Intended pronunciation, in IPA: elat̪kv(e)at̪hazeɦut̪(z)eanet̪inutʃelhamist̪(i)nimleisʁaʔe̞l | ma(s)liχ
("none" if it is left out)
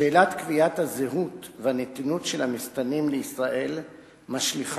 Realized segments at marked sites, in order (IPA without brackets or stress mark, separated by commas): i, v, a, ʃ